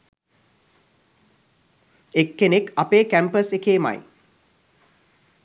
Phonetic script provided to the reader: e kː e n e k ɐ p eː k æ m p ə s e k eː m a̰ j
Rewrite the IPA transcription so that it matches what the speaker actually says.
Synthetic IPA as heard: e kː e n e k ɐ p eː k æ m p ə s e k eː m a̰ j